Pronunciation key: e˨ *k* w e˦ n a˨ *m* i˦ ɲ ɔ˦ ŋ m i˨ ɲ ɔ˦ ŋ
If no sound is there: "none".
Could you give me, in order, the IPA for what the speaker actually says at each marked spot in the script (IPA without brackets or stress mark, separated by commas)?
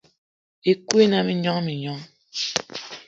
k, m